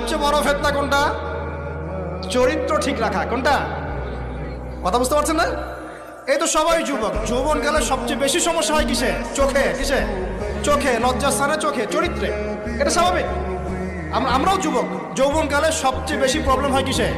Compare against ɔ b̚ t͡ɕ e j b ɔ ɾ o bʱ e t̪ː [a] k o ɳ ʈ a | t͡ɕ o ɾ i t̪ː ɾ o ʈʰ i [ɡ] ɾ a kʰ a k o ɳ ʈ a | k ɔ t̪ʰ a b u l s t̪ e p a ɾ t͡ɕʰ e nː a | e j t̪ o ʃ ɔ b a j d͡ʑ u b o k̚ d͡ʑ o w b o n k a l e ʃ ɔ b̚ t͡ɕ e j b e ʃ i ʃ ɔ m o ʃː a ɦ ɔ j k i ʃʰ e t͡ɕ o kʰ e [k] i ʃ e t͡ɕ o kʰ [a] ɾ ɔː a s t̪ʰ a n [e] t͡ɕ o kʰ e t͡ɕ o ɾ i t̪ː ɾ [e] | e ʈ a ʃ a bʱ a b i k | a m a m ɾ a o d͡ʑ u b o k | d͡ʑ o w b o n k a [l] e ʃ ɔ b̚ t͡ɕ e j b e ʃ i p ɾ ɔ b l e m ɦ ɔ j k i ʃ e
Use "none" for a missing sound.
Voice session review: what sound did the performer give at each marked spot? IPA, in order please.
a, k, k, e, e, e, l

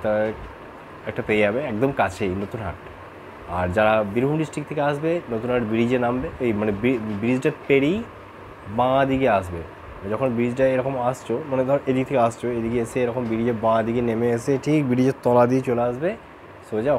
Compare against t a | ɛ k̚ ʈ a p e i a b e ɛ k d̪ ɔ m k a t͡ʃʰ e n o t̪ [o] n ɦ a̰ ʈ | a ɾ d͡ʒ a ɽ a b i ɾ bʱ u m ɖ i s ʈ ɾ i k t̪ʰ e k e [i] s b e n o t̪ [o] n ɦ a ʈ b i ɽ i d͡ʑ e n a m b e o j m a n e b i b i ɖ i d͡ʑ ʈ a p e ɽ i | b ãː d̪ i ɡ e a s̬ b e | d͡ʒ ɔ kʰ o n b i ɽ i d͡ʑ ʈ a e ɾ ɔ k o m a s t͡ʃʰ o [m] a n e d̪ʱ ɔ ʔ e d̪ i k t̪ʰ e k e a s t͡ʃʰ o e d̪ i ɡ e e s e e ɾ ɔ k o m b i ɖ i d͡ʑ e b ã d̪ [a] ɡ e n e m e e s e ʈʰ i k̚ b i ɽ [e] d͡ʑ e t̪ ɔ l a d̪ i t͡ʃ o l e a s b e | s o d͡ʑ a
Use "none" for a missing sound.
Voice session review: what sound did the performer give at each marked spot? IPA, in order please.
u, a, u, m, i, i

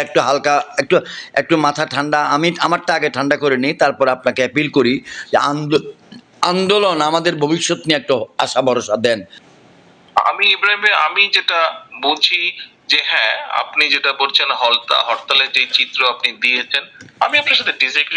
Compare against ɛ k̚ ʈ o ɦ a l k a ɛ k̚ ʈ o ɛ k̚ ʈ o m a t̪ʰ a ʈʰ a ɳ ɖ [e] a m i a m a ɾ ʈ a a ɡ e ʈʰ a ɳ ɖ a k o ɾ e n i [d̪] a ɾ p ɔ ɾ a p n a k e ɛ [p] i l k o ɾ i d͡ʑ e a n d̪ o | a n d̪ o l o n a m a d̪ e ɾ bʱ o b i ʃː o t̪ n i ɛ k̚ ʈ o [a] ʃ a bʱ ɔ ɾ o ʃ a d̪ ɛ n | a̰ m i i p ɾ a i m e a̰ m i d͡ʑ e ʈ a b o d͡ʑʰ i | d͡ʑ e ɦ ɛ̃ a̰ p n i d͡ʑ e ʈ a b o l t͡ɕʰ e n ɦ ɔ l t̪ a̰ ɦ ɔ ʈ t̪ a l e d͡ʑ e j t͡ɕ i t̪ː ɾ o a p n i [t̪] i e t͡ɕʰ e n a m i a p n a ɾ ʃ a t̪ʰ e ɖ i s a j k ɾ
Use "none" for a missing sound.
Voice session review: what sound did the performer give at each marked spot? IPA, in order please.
a, t̪, p, a, d̪

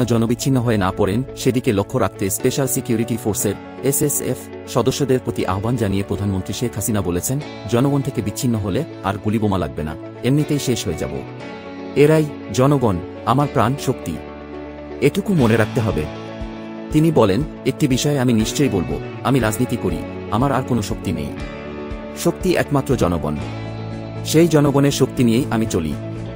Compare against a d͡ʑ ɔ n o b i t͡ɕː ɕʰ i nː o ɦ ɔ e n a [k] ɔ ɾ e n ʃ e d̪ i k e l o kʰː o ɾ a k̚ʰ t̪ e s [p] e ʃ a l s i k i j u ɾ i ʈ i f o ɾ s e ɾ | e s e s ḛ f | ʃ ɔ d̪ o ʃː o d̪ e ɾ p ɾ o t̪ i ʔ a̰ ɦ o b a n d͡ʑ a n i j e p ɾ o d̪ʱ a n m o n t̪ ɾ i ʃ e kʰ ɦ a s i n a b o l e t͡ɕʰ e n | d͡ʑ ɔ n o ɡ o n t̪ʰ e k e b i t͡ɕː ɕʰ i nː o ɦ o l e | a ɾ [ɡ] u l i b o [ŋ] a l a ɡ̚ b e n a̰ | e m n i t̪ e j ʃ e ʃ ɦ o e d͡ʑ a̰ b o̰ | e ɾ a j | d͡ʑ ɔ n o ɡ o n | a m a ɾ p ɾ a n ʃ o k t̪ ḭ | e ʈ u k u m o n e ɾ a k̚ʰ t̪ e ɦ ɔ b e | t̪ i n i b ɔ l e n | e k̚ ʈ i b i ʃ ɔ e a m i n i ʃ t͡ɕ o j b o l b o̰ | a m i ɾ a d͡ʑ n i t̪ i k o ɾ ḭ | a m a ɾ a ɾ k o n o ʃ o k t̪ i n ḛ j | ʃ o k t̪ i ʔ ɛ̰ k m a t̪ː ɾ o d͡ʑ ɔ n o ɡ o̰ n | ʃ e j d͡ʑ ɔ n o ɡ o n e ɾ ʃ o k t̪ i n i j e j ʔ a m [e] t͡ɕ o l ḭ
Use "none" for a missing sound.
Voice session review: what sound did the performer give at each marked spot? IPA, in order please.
p, p, ɡ, m, i

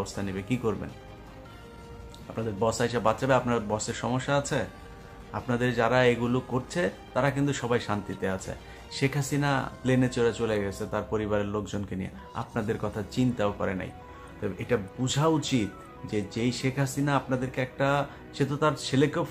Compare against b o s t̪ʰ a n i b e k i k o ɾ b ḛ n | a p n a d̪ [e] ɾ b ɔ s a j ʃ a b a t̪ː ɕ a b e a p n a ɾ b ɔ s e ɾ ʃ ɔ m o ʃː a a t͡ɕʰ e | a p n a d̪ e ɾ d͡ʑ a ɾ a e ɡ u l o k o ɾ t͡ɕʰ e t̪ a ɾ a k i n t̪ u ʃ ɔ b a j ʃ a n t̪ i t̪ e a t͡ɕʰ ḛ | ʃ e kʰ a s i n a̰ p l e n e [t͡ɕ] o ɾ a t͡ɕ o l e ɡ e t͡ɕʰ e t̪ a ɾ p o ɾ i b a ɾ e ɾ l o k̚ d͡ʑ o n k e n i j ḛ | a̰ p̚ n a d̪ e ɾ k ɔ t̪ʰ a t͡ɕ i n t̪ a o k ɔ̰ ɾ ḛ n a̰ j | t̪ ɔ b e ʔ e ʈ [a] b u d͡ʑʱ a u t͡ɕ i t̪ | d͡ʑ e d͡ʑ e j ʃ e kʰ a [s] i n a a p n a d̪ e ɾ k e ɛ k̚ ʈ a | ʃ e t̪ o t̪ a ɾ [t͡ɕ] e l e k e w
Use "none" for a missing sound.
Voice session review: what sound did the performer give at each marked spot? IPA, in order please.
e, t͡ɕ, a, s, t͡ɕʰ

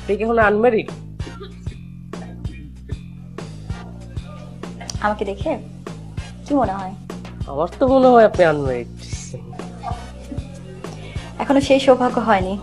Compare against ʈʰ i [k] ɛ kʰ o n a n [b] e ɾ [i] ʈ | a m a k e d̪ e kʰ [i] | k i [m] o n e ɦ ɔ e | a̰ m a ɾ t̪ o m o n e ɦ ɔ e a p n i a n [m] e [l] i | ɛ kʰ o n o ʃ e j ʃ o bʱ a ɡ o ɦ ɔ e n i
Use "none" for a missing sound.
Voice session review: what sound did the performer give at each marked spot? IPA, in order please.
k, m, i, e, m, m, ɾ

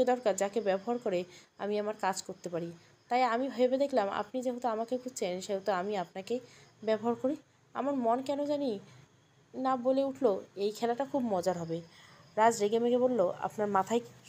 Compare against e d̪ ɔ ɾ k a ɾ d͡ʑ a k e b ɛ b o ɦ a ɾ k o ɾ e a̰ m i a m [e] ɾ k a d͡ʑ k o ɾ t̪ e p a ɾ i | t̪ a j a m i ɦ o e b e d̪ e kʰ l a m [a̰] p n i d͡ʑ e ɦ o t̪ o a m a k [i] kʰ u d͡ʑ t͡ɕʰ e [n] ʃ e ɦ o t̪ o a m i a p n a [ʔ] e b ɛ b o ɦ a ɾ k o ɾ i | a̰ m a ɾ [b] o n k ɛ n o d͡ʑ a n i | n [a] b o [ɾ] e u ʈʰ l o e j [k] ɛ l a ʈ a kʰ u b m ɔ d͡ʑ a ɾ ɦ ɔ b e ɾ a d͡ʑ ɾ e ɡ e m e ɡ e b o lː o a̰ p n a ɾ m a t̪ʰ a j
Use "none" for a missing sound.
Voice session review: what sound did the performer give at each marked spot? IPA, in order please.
a, a̰, e, n, k, m, a, l, kʰ

